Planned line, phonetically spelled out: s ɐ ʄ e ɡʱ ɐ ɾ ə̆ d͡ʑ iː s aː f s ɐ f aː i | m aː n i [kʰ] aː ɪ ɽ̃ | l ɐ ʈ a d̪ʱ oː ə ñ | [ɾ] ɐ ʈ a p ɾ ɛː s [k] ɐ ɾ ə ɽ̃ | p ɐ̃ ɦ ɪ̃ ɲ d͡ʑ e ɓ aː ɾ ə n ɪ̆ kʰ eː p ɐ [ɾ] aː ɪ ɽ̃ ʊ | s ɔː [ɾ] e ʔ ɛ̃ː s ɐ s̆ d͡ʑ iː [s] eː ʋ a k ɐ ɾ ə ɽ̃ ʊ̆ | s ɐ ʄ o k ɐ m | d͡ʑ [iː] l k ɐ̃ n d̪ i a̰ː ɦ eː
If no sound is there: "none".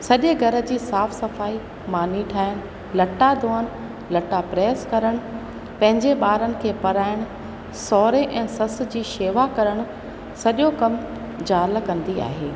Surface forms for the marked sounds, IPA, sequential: ʈʰ, l, k, ɾ, ɾ, ʃ, aː

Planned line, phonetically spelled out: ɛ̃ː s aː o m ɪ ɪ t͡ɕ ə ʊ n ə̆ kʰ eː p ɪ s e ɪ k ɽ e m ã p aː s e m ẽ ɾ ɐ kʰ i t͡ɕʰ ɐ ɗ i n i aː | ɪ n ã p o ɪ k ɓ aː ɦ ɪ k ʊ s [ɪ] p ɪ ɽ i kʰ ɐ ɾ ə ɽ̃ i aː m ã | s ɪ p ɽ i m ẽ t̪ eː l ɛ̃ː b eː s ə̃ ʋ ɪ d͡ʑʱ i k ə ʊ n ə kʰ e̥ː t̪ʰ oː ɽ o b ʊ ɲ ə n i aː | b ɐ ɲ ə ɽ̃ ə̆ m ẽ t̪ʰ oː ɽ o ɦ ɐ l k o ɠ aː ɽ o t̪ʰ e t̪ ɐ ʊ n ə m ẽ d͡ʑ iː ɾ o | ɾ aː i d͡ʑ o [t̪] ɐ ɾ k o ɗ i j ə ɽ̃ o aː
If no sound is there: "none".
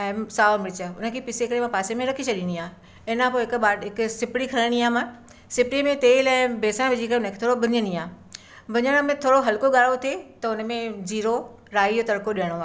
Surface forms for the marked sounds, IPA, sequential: ɪ, t̪

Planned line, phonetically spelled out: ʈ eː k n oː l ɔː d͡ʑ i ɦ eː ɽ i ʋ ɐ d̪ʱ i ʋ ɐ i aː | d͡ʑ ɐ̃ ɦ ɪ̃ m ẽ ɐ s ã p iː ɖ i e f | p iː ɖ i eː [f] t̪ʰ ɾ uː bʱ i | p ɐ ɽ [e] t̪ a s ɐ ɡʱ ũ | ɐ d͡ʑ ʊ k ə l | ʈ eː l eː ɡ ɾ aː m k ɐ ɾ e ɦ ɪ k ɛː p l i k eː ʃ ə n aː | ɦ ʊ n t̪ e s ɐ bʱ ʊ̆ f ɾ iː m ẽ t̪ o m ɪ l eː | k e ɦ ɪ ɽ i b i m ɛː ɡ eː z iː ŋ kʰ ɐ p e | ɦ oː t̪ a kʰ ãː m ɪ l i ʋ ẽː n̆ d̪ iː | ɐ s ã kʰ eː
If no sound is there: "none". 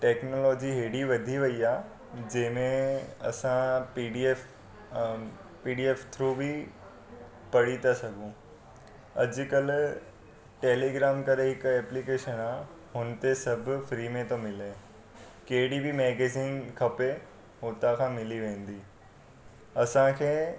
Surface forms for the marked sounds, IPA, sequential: f, i

